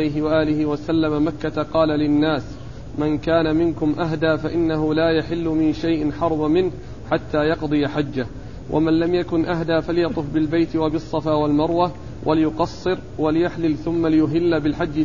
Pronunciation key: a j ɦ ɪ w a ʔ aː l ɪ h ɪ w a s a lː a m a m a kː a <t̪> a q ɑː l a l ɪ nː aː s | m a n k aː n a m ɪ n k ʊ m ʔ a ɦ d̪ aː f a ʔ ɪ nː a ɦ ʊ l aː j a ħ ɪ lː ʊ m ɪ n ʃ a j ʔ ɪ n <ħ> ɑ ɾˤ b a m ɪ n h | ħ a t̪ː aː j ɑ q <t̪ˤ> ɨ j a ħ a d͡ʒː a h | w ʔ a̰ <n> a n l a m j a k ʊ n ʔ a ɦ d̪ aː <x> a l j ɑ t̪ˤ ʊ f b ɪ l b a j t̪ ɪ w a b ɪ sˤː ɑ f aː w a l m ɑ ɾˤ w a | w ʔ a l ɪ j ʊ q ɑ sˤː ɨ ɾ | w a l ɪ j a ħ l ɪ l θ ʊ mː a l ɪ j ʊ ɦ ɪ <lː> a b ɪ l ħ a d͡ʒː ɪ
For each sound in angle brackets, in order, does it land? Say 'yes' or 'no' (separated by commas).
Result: yes, yes, no, no, no, yes